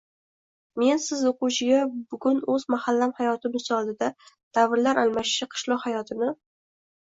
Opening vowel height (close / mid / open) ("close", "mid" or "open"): mid